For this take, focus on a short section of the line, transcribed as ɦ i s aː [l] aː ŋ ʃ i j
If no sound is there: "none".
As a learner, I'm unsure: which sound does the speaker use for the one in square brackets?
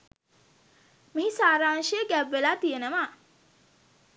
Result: ɾ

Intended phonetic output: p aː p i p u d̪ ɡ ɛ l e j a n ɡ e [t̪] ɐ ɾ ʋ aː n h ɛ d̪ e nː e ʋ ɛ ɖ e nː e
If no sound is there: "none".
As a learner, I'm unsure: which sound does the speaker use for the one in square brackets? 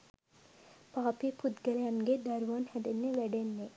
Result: d̪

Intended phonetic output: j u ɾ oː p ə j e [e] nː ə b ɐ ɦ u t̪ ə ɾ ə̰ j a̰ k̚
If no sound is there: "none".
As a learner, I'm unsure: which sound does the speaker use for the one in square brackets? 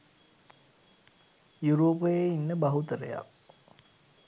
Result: i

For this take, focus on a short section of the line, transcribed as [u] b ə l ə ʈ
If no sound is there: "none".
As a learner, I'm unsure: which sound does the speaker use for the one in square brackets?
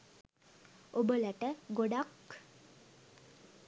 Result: o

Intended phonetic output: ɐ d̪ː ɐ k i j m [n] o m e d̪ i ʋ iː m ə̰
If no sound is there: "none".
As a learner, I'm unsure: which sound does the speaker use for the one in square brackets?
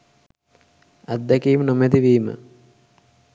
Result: n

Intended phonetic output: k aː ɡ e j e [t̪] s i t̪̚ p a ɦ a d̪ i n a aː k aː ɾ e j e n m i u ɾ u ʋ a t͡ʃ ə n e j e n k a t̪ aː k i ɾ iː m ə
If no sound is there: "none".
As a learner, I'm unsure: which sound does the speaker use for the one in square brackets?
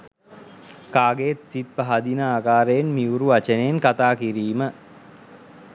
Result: t̪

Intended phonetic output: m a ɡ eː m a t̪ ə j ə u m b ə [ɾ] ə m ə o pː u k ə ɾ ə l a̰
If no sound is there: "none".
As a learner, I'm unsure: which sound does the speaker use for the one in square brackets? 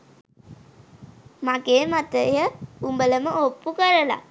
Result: l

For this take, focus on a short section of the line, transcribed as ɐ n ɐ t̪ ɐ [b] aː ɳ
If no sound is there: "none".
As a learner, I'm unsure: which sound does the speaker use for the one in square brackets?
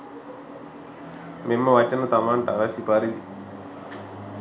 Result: m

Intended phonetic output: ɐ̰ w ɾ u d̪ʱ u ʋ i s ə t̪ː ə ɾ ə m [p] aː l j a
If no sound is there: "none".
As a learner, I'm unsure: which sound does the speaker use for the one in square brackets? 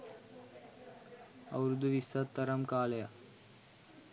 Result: k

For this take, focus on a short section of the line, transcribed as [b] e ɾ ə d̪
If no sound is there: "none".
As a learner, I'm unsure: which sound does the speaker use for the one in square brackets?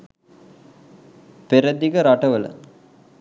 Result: p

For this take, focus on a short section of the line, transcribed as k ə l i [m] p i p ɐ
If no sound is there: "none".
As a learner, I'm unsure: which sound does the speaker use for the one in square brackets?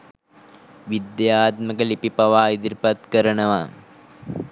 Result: none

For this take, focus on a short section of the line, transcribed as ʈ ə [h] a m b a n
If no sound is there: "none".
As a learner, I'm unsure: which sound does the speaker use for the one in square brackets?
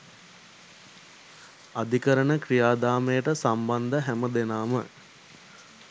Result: s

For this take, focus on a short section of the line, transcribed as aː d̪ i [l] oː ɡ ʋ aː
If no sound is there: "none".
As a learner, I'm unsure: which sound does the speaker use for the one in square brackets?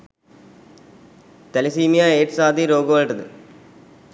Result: ɾ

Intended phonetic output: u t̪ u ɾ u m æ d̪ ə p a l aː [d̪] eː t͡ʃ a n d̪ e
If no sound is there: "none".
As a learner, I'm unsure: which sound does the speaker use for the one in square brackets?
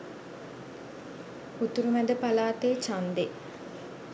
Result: t̪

